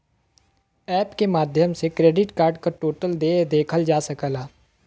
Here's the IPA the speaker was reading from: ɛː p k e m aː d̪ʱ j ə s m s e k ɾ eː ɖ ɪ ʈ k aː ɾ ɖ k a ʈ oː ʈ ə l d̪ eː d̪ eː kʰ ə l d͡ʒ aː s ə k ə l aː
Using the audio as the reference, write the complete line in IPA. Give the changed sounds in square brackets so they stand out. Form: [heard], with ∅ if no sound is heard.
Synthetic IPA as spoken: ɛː p k e m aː d̪ʱ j ə [∅] m s e k ɾ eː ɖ ɪ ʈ k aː ɾ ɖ k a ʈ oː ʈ ə l d̪ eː d̪ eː kʰ ə l d͡ʒ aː s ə k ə l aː